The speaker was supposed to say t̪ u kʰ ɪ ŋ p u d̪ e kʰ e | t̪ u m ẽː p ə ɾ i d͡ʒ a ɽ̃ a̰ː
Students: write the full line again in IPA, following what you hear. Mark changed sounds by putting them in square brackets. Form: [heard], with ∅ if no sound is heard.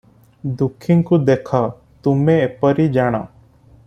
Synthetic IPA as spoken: [d̪] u kʰ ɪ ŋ [k] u d̪ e kʰ [a] | t̪ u m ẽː p ə ɾ i d͡ʒ a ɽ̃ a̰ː